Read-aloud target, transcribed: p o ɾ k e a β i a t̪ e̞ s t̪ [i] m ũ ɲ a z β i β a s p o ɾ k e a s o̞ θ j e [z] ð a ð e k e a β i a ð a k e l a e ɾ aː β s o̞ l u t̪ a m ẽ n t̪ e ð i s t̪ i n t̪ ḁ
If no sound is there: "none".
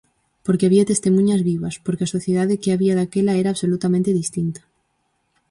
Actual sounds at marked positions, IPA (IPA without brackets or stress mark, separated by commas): e, none